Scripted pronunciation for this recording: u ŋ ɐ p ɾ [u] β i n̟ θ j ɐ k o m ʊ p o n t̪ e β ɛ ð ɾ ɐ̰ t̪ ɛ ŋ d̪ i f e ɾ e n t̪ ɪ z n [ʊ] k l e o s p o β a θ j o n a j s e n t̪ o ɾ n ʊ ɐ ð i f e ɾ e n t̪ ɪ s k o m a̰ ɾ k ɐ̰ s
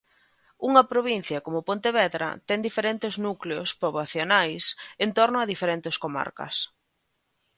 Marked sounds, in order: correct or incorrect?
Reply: incorrect, incorrect

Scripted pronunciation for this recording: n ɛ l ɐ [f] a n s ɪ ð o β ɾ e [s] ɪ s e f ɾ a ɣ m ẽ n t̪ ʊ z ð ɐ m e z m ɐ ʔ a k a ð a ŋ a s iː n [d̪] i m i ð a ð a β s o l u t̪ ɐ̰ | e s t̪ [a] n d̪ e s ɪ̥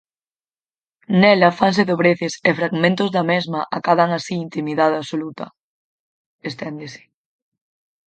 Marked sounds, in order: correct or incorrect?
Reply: correct, incorrect, incorrect, incorrect

